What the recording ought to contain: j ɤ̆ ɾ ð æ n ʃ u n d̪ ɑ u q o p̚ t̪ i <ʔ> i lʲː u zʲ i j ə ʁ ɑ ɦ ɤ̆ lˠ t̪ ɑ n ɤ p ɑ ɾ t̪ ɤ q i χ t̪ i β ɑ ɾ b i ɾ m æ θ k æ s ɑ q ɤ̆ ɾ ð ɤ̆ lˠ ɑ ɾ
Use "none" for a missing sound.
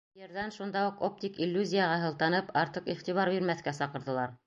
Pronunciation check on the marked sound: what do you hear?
k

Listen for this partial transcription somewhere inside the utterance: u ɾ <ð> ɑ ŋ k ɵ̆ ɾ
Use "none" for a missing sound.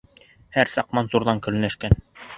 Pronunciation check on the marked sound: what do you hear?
ð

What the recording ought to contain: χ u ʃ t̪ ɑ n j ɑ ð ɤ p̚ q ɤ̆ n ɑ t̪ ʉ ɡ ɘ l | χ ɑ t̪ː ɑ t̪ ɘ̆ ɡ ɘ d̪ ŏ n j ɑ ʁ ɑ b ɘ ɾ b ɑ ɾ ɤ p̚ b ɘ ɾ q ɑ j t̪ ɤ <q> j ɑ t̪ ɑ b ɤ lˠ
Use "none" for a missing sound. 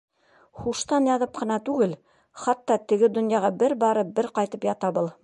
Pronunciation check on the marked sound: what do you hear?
p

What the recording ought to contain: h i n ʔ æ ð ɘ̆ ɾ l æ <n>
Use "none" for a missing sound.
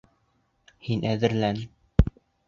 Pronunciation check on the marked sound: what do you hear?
n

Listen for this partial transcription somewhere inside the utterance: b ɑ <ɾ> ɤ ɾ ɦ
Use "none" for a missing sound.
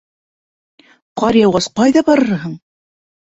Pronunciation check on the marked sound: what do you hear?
ɾ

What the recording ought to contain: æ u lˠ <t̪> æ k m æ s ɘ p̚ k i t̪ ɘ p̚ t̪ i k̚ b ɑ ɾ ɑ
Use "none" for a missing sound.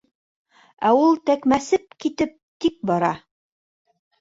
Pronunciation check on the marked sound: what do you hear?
t̪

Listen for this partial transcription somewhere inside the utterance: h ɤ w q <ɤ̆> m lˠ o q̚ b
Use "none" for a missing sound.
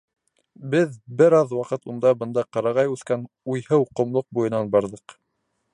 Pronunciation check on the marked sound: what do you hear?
ŏ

